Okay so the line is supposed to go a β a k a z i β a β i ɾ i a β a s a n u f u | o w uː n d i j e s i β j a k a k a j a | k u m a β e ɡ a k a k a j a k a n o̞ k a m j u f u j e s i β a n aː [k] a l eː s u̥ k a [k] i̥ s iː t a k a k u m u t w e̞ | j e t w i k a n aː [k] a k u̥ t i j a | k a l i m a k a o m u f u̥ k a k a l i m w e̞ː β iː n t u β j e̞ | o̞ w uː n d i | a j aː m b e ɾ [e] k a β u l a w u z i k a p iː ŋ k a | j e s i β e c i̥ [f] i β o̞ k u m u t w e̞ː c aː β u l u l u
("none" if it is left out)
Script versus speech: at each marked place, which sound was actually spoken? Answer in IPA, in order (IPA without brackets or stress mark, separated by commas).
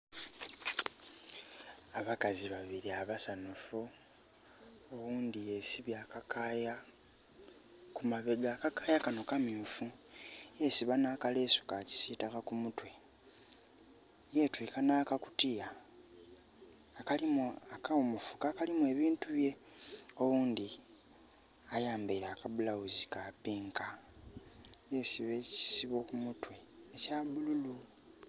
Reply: k, c, k, a, s